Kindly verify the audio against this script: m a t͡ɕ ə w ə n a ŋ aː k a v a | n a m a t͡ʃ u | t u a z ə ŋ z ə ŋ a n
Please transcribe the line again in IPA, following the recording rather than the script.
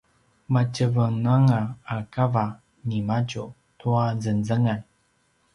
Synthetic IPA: m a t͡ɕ ə v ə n a ŋ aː k a v a | n i m a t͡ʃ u | t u a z ə n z ə ŋ a n